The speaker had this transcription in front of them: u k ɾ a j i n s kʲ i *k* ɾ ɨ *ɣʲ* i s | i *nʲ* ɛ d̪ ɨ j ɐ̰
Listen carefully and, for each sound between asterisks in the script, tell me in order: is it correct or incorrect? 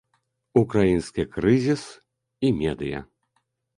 correct, incorrect, incorrect

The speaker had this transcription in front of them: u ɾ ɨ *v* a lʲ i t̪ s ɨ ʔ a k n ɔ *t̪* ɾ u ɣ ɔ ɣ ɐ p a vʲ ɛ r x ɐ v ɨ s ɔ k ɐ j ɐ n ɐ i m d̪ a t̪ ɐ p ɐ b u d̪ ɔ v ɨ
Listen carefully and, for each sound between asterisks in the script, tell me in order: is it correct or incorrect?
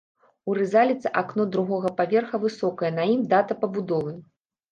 incorrect, incorrect

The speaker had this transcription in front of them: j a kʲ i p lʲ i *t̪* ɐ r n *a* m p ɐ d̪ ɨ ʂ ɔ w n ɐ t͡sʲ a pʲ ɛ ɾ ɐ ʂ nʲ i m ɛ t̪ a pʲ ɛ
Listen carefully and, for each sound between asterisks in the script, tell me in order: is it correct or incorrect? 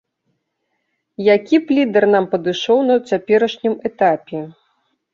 incorrect, correct

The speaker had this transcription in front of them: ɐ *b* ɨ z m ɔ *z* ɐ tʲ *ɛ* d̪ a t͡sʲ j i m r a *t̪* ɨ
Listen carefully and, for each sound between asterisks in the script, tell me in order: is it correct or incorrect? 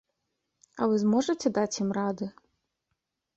incorrect, incorrect, correct, incorrect

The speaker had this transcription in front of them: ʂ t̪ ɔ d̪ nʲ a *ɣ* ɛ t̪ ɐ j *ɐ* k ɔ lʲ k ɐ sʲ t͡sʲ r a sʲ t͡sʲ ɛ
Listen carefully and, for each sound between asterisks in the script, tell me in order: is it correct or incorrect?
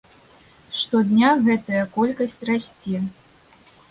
correct, correct

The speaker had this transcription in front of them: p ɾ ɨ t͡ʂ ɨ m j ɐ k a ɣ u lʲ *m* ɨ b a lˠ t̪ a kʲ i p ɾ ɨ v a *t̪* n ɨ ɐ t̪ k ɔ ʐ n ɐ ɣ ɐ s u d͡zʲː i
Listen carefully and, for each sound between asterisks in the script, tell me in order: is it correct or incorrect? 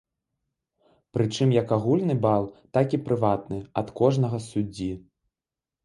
incorrect, correct

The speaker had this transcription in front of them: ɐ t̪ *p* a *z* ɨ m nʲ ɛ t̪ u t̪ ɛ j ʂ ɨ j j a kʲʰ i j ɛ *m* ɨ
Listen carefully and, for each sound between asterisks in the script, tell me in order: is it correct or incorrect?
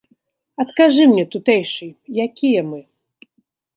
incorrect, incorrect, correct

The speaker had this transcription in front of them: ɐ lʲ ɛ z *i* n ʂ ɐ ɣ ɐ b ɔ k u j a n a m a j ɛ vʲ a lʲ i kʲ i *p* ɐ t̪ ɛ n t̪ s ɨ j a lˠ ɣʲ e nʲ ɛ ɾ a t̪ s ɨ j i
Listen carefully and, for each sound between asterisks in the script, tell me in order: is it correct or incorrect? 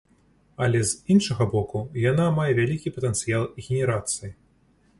correct, correct

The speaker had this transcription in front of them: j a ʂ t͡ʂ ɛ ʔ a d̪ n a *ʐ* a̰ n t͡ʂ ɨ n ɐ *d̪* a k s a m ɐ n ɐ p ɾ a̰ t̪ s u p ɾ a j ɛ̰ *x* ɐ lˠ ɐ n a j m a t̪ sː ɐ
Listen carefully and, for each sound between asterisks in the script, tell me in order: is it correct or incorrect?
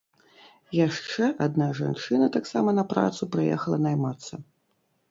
correct, incorrect, correct

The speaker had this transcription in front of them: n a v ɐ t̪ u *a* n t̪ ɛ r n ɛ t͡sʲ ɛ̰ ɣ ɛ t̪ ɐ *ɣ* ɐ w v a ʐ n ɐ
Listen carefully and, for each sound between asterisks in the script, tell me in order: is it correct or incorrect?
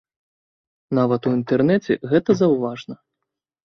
incorrect, incorrect

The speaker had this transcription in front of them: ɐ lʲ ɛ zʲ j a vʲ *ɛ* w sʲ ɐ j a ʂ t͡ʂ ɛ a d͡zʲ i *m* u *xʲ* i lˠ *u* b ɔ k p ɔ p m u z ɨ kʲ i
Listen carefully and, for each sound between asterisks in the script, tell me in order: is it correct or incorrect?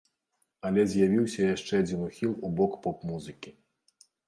incorrect, incorrect, correct, correct

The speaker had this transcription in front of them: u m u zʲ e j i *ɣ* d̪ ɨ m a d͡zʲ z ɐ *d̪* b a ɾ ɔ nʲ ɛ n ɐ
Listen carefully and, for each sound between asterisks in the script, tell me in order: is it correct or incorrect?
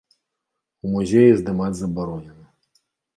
incorrect, incorrect

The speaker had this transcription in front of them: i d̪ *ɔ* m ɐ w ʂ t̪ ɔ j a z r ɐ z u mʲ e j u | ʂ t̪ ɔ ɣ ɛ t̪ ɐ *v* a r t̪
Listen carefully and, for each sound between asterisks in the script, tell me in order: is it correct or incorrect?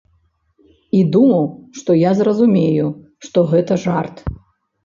incorrect, incorrect

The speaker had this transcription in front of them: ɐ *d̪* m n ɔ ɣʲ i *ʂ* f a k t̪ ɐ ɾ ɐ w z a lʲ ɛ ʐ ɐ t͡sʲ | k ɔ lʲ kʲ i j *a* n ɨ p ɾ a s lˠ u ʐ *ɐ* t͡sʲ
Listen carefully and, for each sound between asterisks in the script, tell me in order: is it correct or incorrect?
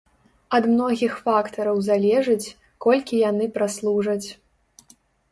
correct, incorrect, correct, correct

